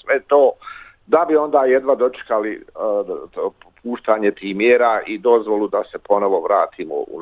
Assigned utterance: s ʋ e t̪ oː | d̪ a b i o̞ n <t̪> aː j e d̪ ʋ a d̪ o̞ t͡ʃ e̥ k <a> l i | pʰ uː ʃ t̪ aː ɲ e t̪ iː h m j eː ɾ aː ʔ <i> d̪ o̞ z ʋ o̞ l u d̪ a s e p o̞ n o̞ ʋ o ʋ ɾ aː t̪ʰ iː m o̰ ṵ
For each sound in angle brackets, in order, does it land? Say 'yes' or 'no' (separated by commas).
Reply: no, yes, yes